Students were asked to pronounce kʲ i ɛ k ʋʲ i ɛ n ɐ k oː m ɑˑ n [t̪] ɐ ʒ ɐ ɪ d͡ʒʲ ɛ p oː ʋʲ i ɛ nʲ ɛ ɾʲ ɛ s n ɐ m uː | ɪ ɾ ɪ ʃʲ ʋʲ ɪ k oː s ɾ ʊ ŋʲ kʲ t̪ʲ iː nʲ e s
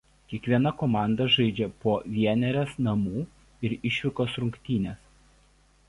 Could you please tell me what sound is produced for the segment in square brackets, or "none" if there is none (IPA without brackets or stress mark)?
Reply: d̪